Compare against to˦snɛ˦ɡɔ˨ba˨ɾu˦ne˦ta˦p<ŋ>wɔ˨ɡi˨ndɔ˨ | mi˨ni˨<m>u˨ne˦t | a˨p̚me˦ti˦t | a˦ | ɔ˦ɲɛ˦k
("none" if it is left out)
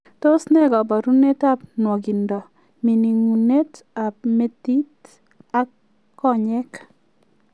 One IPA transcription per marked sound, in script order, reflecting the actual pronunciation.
n, ŋ

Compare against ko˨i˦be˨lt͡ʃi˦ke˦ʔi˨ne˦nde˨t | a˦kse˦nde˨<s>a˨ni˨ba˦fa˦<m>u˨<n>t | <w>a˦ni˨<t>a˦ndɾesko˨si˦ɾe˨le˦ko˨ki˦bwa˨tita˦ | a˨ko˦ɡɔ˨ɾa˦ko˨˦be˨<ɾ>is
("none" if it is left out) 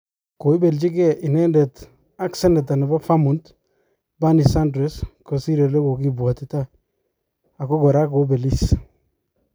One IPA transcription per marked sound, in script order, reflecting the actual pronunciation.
t, m, n, b, s, l

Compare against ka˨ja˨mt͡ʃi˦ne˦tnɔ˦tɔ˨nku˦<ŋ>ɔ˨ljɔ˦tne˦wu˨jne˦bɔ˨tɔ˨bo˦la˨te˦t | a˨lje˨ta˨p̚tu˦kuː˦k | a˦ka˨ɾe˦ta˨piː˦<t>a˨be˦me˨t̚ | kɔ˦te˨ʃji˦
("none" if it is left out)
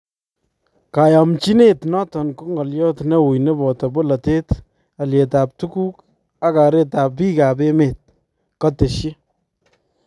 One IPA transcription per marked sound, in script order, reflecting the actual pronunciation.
ŋ, k

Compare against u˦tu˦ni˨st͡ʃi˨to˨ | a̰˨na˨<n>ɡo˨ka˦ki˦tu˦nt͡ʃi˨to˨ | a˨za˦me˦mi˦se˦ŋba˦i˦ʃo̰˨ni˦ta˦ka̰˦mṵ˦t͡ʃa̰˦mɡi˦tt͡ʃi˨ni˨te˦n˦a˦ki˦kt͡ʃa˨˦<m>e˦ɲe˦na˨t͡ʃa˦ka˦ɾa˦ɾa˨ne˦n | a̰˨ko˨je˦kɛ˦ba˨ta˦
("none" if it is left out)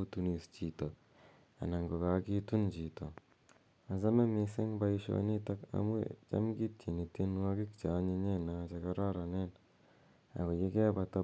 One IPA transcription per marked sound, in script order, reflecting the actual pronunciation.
ŋ, ɲ

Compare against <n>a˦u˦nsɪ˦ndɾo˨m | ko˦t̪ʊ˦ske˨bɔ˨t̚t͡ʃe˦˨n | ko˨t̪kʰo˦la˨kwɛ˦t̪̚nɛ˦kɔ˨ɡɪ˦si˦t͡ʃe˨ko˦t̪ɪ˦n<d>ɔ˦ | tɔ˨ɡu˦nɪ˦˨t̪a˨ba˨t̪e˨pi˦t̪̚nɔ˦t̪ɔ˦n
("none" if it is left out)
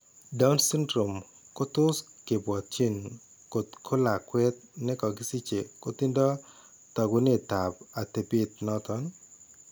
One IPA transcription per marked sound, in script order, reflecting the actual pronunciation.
d, d

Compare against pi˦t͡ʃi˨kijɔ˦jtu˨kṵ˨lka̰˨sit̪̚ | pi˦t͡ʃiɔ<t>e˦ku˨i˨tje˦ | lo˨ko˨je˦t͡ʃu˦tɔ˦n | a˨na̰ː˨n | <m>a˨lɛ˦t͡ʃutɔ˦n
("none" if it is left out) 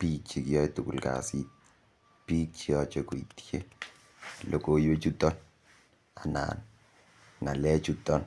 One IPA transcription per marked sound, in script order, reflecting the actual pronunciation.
t͡ʃ, ŋ

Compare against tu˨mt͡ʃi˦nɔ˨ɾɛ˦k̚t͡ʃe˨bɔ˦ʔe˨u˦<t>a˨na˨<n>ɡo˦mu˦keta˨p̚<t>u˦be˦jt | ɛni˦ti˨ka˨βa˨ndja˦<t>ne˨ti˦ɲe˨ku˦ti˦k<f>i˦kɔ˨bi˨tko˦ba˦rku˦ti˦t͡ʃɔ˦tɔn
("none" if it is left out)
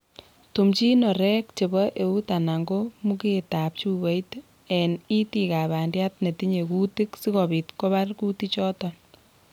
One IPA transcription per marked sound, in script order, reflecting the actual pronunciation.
t, ŋ, t͡ʃ, t, s

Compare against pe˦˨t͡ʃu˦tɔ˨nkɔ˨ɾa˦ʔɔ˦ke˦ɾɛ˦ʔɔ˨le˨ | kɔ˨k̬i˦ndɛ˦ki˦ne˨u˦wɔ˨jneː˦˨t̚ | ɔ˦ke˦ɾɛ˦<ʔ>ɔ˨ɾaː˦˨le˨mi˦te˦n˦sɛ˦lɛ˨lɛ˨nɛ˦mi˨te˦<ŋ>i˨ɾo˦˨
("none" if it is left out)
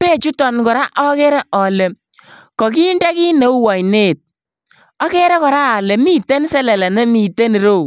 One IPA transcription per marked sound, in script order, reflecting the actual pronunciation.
k, n

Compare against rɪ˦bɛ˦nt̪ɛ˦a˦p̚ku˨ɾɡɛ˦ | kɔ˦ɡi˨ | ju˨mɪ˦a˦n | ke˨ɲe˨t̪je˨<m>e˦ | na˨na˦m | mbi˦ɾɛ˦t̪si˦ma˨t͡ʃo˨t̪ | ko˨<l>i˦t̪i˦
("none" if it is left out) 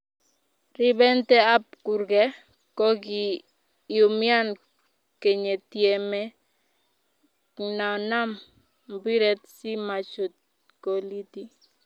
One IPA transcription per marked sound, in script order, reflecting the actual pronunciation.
m, l

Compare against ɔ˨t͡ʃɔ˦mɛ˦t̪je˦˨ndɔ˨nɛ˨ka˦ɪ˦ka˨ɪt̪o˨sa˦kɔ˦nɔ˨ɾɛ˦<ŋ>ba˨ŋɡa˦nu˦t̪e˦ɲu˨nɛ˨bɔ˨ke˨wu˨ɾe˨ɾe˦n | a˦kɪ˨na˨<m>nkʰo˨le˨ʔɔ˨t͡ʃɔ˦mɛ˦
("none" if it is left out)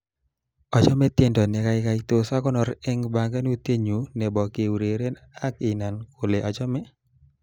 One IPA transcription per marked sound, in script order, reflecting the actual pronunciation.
ŋ, none

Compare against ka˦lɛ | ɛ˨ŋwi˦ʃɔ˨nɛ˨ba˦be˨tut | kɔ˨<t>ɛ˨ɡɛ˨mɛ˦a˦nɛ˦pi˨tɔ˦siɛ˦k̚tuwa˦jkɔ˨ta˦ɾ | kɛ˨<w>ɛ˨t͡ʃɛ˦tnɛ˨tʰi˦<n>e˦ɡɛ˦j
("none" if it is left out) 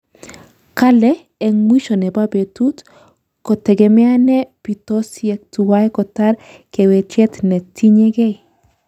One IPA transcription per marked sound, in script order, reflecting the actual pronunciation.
t, w, ɲ

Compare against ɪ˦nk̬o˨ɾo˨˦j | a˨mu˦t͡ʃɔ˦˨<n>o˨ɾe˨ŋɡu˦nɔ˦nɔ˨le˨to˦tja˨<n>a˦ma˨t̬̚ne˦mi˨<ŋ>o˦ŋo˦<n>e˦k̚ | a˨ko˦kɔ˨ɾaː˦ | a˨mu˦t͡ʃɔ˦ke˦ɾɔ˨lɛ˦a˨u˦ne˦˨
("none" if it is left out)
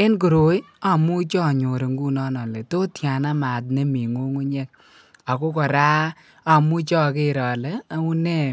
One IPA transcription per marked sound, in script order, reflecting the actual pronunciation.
ɲ, n, ŋ, ɲ

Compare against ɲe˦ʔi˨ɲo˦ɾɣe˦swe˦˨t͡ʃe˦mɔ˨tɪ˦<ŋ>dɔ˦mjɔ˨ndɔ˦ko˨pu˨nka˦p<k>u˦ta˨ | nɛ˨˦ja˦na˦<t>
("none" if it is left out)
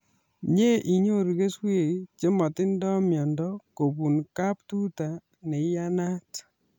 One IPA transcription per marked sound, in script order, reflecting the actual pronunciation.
n, t, t

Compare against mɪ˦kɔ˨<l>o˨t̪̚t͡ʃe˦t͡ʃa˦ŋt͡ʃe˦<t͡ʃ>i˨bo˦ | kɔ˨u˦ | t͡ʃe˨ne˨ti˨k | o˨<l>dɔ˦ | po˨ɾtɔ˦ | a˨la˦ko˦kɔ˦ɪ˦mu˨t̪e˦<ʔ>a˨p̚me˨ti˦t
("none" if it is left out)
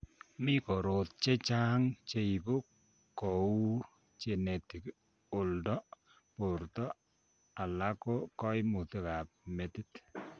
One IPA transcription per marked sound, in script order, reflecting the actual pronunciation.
ɾ, none, l, k

